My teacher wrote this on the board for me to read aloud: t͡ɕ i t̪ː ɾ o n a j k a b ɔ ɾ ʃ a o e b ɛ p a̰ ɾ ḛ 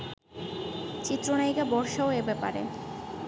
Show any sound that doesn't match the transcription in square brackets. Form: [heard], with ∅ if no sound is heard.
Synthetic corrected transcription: t͡ɕ i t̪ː ɾ o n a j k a b ɔ ɾ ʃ a o e b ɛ p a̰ ɾ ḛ